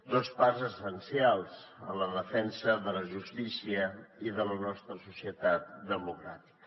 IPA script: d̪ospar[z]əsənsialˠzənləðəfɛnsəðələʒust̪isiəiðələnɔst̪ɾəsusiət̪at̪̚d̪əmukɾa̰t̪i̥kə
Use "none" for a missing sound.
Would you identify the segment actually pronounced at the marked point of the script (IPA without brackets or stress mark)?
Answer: z